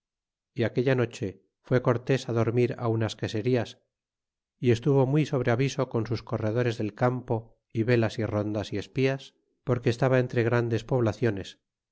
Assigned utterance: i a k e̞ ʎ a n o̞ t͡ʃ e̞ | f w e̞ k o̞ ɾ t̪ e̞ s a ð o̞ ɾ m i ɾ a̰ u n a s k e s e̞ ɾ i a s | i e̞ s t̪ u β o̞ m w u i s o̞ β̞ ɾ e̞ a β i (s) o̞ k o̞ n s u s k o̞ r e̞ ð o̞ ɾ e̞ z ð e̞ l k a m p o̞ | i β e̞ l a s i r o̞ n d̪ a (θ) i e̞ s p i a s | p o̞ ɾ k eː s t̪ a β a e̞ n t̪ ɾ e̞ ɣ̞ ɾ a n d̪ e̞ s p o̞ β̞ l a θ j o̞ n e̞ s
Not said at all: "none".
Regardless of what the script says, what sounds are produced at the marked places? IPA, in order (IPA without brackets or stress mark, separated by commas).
s, s